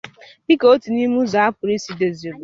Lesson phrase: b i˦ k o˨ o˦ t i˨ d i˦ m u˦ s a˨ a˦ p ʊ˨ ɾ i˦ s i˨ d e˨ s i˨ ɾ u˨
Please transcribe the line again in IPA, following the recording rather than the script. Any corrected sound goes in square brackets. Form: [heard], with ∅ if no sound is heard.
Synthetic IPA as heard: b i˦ k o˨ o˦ t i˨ [n] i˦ m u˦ [z] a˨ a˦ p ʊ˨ ɾ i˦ s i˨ d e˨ [z] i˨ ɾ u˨